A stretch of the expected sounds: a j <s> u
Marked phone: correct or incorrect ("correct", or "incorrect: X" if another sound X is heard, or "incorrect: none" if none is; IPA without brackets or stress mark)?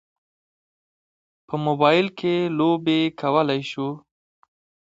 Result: incorrect: ʃ